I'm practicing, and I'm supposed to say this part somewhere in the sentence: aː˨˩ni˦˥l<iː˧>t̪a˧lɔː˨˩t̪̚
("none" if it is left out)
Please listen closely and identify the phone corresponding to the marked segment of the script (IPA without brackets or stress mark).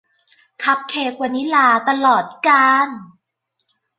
aː˧